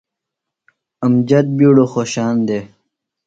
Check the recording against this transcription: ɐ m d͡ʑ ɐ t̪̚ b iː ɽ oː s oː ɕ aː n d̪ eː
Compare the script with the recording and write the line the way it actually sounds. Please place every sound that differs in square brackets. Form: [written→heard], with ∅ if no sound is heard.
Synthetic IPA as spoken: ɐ m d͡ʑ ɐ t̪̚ b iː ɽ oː [s→x] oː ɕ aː n d̪ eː